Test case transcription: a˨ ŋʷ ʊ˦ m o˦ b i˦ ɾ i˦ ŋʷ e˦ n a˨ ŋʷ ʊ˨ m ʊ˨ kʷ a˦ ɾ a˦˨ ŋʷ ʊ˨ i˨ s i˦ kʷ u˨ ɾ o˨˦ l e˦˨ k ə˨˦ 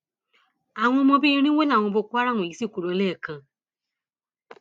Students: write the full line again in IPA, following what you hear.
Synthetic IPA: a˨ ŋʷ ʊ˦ m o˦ b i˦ ɾ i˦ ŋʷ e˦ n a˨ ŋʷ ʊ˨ b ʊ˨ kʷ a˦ ɾ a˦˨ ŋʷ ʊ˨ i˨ s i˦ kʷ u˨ ɾ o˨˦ l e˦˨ k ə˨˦